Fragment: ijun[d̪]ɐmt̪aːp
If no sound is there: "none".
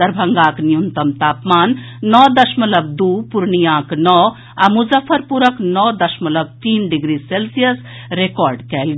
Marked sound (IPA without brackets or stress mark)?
t̪